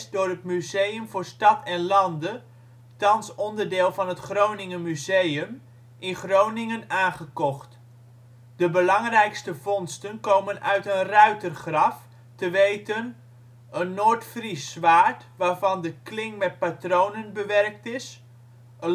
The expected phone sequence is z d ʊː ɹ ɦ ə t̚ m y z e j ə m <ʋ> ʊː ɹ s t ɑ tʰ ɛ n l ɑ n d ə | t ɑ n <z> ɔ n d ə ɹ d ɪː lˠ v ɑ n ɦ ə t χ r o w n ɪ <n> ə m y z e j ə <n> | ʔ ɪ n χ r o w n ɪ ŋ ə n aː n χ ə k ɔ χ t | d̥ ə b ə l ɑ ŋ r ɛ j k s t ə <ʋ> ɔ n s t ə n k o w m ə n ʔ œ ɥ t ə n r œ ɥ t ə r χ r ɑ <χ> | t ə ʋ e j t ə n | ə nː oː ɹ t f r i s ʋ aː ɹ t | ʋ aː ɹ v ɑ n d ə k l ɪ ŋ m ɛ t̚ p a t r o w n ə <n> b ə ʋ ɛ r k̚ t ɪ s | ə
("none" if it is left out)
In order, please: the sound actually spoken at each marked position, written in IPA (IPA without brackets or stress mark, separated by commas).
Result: v, s, ŋ, m, v, f, n